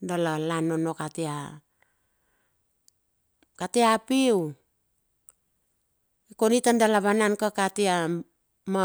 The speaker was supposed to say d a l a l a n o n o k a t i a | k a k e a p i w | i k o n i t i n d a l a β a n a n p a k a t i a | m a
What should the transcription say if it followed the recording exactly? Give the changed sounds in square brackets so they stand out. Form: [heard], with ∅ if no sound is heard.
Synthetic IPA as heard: d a l a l a n o n o k a t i a | k a [t] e a p i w | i k o n i t [a] n d a l a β a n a n [k] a k a t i a | m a